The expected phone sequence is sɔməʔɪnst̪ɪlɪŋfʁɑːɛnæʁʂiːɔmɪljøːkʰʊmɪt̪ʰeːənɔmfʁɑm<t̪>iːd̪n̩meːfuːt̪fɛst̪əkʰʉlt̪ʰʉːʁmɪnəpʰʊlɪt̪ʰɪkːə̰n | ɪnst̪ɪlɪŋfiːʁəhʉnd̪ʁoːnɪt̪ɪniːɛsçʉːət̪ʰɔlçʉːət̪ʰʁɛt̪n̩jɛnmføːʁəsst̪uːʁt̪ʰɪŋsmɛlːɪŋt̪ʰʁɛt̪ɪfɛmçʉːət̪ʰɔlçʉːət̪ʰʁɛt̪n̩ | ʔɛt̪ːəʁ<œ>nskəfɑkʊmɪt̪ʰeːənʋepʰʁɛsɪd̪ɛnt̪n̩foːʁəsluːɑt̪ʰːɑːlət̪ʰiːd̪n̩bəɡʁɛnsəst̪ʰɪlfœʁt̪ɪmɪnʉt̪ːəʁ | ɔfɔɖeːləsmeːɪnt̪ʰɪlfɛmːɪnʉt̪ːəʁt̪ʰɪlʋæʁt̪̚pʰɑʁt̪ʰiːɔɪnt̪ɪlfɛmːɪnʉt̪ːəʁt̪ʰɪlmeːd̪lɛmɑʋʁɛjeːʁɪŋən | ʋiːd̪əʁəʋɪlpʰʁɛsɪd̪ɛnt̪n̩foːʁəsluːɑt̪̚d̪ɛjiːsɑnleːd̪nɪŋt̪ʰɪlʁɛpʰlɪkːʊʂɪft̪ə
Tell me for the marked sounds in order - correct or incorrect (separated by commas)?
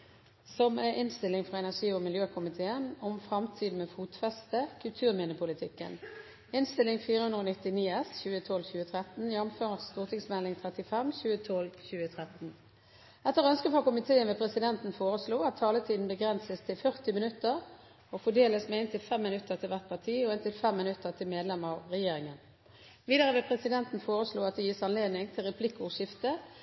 incorrect, correct